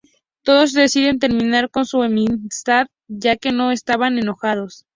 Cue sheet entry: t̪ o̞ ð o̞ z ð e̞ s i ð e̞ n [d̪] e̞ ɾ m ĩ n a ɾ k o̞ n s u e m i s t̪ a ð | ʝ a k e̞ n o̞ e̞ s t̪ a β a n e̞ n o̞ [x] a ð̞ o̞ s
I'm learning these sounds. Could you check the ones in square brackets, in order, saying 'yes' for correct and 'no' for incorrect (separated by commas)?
no, yes